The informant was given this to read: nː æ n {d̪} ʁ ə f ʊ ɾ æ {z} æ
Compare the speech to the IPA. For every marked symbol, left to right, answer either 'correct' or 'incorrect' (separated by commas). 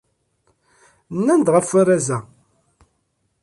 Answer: correct, correct